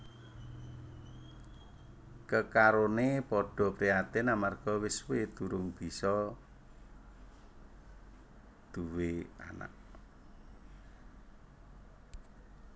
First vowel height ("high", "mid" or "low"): mid